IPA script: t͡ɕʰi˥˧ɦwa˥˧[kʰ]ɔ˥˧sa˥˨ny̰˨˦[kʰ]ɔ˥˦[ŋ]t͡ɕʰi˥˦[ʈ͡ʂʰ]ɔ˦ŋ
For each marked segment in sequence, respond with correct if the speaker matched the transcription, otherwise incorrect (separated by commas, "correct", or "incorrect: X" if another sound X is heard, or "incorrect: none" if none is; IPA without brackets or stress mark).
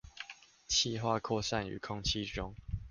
correct, correct, correct, incorrect: ʈ͡ʂ